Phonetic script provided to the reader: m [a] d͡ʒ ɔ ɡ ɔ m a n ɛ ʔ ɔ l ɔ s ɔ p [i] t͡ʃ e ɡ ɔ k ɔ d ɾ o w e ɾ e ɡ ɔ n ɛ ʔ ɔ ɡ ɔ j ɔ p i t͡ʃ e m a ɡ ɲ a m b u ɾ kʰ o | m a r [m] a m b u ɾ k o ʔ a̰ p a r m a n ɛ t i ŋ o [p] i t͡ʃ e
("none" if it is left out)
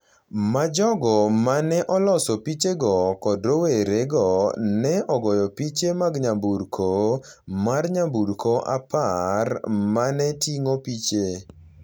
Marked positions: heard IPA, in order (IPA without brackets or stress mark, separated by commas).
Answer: a, i, ɲ, p